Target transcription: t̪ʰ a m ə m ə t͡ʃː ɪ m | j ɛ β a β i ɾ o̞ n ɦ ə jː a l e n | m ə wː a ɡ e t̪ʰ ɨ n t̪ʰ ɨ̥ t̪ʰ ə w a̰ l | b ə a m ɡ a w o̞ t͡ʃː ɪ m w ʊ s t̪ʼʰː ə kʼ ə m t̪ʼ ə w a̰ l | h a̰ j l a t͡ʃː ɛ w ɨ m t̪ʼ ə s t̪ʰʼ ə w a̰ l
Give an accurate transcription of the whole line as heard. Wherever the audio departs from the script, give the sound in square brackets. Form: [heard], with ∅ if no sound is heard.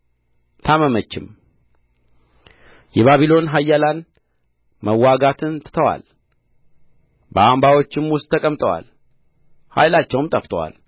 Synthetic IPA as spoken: t̪ʰ a m ə m ə t͡ʃː ɪ m | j ɛ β a β i [l] o̞ n ɦ [a] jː a l [a] n | m ə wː a ɡ [a] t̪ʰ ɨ n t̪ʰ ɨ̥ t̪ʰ ə w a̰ l | b ə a m [b] a w o̞ t͡ʃː ɪ m w ʊ s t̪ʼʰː ə kʼ ə m t̪ʼ ə w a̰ l | h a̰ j l a t͡ʃː ɛ w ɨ m t̪ʼ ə [f] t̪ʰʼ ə w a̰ l